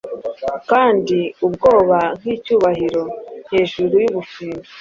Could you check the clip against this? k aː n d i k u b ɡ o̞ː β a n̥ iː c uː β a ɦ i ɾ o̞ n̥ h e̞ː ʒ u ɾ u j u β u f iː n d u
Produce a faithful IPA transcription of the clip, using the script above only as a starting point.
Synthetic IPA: k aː n d i u b ɡ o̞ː β a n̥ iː c uː β a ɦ i ɾ o̞ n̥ h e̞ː ʒ u ɾ u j u β u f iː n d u